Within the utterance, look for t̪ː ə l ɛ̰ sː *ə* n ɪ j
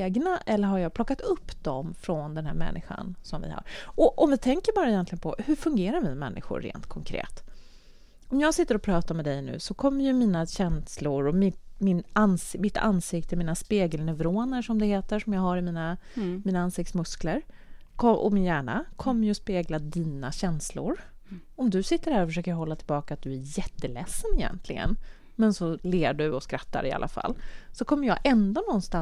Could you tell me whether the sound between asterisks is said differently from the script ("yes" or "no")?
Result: no